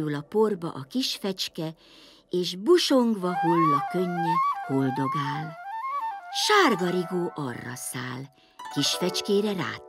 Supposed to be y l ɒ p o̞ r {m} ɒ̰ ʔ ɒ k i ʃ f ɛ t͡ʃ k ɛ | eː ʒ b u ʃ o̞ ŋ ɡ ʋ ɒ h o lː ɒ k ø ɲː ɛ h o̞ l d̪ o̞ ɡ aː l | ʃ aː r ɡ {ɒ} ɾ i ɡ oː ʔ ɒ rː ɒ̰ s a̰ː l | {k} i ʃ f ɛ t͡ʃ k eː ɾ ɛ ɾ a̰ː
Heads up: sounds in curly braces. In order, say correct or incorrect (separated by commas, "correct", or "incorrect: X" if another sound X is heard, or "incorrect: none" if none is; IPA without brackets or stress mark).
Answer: incorrect: b, correct, correct